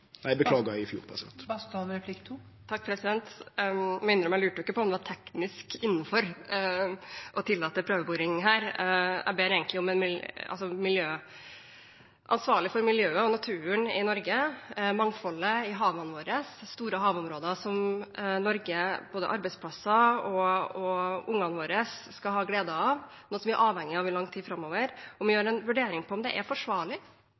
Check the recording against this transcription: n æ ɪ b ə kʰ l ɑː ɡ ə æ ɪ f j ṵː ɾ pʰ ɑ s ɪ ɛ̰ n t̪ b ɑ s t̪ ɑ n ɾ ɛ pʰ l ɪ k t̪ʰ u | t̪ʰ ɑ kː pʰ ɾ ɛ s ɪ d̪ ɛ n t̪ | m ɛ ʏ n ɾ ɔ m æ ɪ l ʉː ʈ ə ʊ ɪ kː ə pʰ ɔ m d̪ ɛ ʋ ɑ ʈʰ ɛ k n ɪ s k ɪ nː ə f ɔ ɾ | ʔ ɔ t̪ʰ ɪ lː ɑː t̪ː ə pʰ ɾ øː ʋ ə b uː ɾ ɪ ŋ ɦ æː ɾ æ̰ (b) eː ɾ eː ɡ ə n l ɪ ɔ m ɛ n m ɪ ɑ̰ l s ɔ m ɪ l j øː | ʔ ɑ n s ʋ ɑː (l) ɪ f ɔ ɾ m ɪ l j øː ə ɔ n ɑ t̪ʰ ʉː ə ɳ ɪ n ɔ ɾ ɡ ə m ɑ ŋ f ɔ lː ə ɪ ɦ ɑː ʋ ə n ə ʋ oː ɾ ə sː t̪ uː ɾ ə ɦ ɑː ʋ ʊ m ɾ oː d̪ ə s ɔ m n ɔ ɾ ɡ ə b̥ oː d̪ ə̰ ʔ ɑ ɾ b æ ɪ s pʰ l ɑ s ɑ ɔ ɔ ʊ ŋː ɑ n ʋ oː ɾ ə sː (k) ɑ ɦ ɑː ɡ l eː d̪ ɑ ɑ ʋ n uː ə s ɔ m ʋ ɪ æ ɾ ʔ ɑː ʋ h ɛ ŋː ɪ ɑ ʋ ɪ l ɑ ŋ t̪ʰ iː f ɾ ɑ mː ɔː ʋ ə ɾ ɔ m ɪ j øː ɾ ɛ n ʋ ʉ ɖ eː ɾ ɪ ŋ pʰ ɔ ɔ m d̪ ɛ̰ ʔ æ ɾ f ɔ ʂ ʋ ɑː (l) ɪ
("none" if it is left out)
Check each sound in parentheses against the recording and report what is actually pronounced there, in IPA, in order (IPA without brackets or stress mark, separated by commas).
b, ɭ, k, ɭ